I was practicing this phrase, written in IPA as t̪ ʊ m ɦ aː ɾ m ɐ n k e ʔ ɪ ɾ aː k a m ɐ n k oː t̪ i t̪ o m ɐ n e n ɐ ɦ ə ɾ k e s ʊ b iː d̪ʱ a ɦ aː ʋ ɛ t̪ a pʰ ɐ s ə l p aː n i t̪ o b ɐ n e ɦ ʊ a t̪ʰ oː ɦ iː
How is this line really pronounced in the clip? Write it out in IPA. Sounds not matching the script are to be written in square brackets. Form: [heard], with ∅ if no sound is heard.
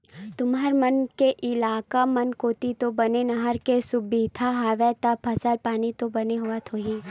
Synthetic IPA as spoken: t̪ ʊ m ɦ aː ɾ m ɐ n k e ʔ ɪ [l] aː k a m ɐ n k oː t̪ i t̪ o [b] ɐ n e n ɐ ɦ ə ɾ k e s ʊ b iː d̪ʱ a ɦ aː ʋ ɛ t̪ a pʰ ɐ s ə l p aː n i t̪ o b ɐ n e ɦ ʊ a t̪ʰ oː ɦ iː

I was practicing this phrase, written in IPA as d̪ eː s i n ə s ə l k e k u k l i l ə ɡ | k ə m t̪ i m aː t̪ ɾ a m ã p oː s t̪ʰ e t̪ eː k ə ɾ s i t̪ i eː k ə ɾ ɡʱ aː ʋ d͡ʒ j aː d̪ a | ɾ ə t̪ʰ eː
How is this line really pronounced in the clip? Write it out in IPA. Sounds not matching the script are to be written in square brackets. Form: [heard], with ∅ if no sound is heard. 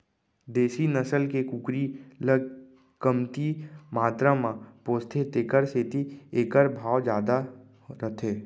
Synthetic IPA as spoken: d̪ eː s i n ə s ə l k e k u k [ɾ] i l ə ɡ | k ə m t̪ i m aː t̪ ɾ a m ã p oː s t̪ʰ e t̪ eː k ə ɾ s [e] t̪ i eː k ə ɾ [bʱ] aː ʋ d͡ʒ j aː d̪ a | ɾ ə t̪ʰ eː

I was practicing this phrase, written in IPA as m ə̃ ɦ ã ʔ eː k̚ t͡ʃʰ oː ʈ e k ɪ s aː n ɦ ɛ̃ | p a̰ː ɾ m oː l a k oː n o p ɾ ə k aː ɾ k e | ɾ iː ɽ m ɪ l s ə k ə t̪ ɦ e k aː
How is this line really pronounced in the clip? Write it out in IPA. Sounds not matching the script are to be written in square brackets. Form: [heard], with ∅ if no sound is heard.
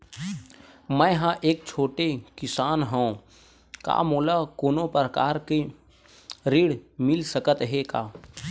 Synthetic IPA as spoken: m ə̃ ɦ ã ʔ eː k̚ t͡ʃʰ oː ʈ e k ɪ s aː n ɦ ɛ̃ | [k] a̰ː [∅] m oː l a k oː n o p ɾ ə k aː ɾ k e | ɾ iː ɽ m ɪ l s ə k ə t̪ ɦ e k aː

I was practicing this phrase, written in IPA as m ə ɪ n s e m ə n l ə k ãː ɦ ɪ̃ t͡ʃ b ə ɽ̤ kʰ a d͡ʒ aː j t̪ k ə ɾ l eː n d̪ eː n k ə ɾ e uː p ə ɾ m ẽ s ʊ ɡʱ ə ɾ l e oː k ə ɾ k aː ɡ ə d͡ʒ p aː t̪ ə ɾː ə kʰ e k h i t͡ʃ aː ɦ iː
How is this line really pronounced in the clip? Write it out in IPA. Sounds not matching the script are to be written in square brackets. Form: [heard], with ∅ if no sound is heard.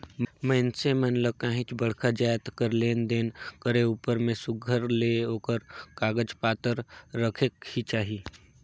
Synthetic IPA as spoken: m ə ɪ n s e m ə n l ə k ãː ɦ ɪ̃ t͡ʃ b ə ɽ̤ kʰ a d͡ʒ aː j t̪ k ə ɾ l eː n d̪ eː n k ə ɾ e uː p ə ɾ m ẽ s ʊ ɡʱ ə ɾ l e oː k ə ɾ k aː ɡ ə d͡ʒ p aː t̪ ə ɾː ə kʰ e k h i t͡ʃ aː ɦ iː

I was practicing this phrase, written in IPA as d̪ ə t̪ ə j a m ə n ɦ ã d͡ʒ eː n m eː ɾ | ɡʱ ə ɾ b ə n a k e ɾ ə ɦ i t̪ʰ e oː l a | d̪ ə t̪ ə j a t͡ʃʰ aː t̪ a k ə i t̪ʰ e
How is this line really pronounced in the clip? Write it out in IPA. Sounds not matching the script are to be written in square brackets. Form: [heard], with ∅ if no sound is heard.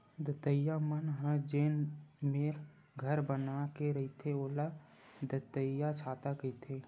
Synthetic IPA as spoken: d̪ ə t̪ ə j a m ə n ɦ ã d͡ʒ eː n m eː ɾ | ɡʱ ə ɾ b ə n a k e ɾ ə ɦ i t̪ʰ e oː l a | d̪ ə t̪ ə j a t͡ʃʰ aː t̪ a k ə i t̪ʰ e

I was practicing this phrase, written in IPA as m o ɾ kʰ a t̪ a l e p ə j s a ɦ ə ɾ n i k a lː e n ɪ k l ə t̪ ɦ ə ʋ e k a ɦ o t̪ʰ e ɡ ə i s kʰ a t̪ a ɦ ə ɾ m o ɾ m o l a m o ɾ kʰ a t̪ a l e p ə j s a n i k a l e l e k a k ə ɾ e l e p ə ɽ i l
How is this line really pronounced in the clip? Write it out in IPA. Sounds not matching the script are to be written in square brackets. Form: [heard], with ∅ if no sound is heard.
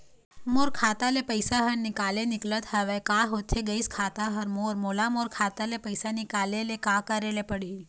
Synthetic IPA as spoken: m o ɾ kʰ a t̪ a l e p ə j s a ɦ ə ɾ n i k a [l] e n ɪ k l ə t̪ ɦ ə ʋ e k a ɦ o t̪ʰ e ɡ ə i s kʰ a t̪ a ɦ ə ɾ m o ɾ m o l a m o ɾ kʰ a t̪ a l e p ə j s a n i k a l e l e k a k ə ɾ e l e p ə ɽ i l

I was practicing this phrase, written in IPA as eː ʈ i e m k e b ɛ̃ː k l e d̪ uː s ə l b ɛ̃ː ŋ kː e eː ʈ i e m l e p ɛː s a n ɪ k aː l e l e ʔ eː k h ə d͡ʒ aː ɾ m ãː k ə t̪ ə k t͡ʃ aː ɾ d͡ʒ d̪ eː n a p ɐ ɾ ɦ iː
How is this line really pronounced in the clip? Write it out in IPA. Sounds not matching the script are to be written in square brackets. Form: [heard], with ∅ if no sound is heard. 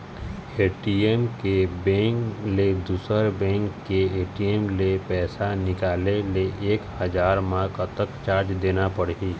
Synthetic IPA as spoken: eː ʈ i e m k e b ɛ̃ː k l e d̪ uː s ə [ɾ] b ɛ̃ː ŋ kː e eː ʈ i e m l e p ɛː s a n ɪ k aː l e l e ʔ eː k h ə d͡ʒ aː ɾ m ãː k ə t̪ ə k t͡ʃ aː ɾ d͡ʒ d̪ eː n a p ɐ [ɽ] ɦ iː

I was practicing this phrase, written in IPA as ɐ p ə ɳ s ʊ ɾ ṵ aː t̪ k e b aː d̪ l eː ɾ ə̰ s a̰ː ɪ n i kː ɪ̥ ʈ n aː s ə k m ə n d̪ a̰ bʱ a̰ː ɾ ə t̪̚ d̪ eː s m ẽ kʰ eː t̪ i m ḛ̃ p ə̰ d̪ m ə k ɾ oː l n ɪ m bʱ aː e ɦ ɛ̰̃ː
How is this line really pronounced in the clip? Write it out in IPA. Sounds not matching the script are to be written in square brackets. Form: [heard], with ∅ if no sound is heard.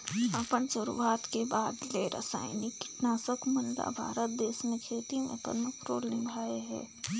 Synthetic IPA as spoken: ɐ p ə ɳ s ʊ ɾ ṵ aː t̪ k e b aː d̪ l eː ɾ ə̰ s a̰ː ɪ n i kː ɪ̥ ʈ n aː s ə k m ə n d̪ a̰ bʱ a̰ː ɾ ə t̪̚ d̪ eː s m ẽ kʰ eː t̪ i m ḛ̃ p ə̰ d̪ m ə k ɾ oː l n ɪ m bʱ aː e ɦ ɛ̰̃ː

